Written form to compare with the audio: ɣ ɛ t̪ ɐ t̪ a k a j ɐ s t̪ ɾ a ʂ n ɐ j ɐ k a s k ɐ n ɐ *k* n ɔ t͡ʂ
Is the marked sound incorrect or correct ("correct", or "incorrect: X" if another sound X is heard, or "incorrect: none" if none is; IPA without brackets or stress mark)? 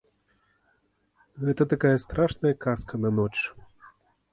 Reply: incorrect: none